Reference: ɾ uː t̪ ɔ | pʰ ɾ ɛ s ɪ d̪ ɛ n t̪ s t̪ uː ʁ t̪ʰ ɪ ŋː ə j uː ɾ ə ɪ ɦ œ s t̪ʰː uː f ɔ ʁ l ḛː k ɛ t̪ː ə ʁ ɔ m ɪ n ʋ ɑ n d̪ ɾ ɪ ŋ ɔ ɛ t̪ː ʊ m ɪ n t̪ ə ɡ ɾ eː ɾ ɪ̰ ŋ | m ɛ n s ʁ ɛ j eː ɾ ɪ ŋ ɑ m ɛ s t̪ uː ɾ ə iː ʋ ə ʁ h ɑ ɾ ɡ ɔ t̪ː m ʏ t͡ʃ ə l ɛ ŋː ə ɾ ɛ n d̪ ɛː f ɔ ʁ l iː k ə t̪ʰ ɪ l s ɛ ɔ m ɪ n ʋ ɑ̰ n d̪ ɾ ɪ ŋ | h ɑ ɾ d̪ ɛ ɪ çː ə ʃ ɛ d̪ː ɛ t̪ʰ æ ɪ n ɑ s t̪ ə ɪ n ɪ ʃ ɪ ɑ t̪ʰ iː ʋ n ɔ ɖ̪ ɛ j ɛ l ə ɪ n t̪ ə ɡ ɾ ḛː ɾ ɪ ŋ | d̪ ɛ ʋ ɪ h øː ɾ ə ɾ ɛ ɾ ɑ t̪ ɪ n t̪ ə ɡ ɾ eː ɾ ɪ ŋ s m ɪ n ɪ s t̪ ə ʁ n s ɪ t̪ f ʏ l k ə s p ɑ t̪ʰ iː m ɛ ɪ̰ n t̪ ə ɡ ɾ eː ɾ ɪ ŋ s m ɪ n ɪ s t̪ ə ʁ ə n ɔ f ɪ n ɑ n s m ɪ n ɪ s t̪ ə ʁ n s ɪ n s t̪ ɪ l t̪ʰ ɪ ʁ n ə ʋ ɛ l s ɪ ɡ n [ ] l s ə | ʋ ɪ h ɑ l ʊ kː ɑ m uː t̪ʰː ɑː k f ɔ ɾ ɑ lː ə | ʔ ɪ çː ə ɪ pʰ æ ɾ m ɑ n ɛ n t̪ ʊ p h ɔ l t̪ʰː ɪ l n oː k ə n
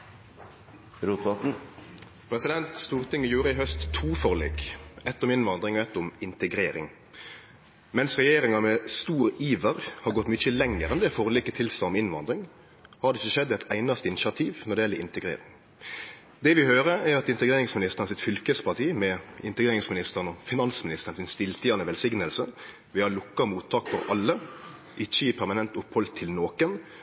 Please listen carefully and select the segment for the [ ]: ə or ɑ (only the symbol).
ə